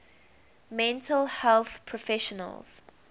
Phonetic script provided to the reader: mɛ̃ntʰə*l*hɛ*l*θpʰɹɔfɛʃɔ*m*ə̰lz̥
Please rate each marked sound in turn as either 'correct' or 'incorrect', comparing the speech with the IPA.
correct, correct, incorrect

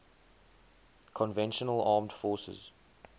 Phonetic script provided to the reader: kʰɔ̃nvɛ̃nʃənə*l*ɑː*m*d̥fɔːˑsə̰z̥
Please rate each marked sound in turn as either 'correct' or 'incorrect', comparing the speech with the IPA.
correct, correct

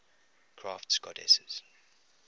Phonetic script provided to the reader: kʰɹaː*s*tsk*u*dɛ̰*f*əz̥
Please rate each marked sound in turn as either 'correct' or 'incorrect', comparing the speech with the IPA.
incorrect, incorrect, incorrect

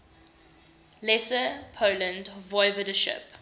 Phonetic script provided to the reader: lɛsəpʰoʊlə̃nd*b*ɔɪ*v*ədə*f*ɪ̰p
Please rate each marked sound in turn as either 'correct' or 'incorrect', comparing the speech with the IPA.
incorrect, correct, incorrect

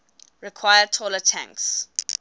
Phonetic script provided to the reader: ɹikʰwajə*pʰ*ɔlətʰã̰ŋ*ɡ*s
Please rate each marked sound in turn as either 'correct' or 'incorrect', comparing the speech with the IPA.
incorrect, incorrect

